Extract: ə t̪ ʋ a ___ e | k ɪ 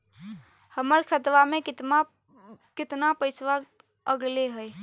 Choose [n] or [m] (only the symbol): m